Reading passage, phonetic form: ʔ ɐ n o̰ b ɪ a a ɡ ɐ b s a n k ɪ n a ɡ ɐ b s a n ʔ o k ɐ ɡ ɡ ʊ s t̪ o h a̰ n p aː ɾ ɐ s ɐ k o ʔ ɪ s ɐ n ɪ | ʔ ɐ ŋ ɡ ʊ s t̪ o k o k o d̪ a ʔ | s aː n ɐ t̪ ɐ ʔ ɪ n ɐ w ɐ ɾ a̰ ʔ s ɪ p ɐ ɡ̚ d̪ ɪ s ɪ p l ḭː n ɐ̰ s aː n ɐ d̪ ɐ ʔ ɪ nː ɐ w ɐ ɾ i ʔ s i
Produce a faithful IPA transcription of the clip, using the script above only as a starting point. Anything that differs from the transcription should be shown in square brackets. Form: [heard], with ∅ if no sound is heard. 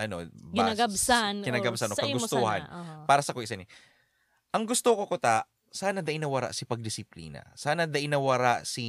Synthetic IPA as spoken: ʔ ɐ n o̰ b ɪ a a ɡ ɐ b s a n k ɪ n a ɡ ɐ b s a n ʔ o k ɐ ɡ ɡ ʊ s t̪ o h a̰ n p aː ɾ ɐ s ɐ k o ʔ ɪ s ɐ n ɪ | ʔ ɐ ŋ ɡ ʊ s t̪ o k o k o [t̪] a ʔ | s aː n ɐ [d̪] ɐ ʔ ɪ n ɐ w ɐ ɾ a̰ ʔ s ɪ p ɐ ɡ̚ d̪ ɪ s ɪ p l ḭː n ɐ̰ s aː n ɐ d̪ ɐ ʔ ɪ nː ɐ w ɐ ɾ [a] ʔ s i